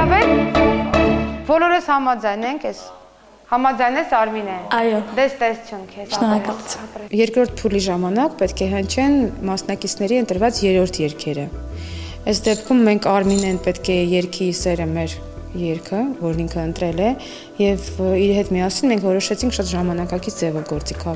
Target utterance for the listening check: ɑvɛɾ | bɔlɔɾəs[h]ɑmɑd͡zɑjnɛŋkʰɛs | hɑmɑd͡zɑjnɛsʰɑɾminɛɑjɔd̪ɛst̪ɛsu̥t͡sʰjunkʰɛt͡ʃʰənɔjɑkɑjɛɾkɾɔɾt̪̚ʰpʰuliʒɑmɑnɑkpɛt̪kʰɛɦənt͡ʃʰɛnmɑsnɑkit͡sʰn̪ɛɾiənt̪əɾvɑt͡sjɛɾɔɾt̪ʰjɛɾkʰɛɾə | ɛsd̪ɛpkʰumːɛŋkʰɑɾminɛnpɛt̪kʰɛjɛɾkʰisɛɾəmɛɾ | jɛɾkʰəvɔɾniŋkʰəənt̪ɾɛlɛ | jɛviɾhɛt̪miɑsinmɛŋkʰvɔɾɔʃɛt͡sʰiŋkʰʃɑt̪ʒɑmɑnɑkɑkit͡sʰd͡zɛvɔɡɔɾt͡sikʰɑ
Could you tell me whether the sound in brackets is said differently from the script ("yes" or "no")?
no